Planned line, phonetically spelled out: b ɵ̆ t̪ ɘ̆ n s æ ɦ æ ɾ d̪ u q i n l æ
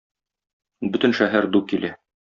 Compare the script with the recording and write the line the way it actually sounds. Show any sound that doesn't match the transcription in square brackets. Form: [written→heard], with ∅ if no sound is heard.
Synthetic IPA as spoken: b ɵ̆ t̪ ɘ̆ n [s→ʃ] æ ɦ æ ɾ d̪ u [q→k] i [n→∅] l æ